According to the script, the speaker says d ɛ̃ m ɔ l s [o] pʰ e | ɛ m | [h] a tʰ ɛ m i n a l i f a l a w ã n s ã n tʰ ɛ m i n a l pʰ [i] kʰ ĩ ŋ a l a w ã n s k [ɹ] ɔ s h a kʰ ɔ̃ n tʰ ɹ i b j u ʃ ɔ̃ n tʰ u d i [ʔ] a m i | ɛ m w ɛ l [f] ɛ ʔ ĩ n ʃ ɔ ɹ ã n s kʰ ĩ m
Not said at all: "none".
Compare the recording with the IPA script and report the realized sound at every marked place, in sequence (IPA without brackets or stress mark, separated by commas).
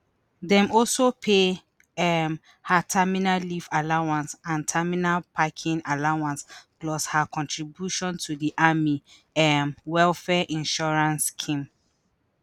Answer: o, h, a, l, ʔ, f